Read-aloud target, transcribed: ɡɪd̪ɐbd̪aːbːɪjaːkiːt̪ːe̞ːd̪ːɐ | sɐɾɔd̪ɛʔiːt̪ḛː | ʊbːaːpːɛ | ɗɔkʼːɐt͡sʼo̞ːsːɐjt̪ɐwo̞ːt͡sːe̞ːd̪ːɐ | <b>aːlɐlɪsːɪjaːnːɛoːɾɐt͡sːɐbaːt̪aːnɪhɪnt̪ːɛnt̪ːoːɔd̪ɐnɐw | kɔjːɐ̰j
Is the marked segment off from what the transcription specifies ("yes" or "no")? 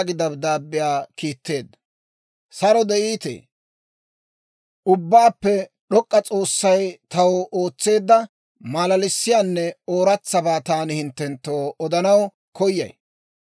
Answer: yes